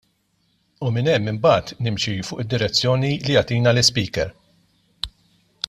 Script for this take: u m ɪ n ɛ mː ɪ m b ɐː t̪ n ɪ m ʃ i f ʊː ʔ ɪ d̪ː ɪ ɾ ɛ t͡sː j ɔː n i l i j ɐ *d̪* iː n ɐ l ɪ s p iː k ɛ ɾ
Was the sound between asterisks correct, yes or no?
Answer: no